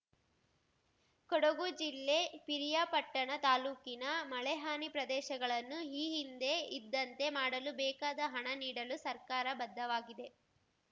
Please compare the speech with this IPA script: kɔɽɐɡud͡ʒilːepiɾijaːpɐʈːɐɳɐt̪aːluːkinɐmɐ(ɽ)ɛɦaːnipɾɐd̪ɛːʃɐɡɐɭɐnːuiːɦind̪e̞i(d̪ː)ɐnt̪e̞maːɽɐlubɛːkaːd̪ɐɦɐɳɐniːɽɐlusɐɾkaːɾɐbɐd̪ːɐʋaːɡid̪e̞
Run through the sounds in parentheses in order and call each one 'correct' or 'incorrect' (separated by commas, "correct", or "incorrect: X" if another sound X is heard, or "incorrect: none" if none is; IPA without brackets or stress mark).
incorrect: ɭ, correct